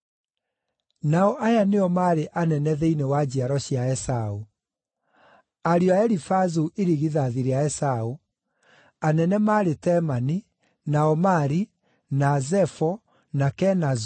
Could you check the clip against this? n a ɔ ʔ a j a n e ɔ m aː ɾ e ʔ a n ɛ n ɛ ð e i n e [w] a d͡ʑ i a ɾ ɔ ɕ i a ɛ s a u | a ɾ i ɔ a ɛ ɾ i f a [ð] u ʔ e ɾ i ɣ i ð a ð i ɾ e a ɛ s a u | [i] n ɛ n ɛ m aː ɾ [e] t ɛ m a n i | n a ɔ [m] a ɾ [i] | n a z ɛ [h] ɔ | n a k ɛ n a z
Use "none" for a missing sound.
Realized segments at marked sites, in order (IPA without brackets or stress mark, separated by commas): w, z, a, e, m, i, f